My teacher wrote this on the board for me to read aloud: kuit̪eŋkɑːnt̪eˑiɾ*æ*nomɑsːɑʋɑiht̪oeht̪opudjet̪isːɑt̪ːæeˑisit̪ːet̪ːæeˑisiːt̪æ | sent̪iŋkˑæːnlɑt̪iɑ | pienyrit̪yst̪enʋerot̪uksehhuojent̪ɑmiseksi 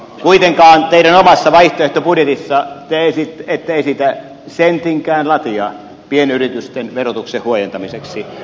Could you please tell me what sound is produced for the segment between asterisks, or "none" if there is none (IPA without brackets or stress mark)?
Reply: æ